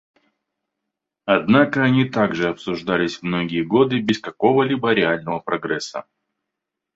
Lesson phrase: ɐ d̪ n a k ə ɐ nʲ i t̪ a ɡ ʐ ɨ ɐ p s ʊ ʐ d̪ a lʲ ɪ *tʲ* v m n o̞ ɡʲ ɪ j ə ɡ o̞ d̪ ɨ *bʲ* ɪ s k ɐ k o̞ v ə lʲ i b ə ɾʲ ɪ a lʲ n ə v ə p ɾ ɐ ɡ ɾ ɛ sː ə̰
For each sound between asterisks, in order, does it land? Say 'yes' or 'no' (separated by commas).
no, yes